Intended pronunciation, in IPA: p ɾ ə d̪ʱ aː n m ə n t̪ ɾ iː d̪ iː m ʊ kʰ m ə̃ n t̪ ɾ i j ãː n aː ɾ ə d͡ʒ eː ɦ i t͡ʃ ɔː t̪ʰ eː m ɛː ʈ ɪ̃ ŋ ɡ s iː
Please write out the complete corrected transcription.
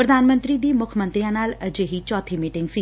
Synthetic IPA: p ɾ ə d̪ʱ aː n m ə n t̪ ɾ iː d̪ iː m ʊ kʰ m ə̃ n t̪ ɾ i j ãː n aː l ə d͡ʒ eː ɦ i t͡ʃ ɔː t̪ʰ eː m iː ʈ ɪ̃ ŋ ɡ s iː